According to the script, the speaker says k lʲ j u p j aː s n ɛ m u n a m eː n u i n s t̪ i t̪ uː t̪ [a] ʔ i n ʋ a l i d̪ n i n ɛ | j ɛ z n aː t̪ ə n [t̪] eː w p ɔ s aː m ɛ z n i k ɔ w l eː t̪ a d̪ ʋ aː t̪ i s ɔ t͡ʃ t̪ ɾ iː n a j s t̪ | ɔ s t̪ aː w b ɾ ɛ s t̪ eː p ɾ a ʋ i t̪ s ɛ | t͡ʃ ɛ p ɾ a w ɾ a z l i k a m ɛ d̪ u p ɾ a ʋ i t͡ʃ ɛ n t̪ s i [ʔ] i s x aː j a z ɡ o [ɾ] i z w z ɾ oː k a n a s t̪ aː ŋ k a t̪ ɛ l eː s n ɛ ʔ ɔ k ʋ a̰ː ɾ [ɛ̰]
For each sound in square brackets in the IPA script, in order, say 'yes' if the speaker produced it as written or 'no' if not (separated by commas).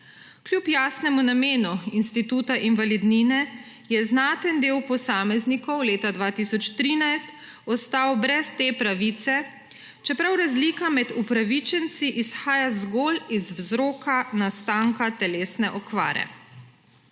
yes, no, yes, no, yes